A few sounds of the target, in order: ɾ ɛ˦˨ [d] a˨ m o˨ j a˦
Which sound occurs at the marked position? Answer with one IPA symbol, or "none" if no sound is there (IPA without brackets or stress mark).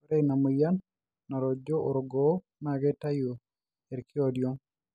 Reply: n